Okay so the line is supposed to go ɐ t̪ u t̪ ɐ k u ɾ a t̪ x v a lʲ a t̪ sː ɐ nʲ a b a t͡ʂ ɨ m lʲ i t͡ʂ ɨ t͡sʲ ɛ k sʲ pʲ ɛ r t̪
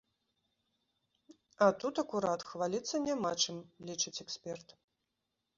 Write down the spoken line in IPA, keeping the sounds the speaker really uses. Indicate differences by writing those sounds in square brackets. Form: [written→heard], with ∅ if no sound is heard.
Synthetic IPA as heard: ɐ t̪ u t̪ ɐ k u ɾ a t̪ x v a lʲ [a→i] t̪ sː ɐ nʲ a [b→m] a t͡ʂ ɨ m lʲ i t͡ʂ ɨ t͡sʲ ɛ k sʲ pʲ ɛ r t̪